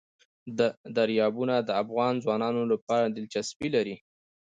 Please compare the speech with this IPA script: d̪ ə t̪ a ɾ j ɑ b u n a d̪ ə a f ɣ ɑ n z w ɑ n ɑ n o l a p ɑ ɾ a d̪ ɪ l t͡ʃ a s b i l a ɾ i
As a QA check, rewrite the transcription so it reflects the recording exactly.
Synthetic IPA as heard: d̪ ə d̪ a ɾ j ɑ b u n a d̪ ə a f ɣ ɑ n z w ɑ n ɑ n o l a p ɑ ɾ a d̪ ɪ l t͡ʃ a s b i l a ɾ i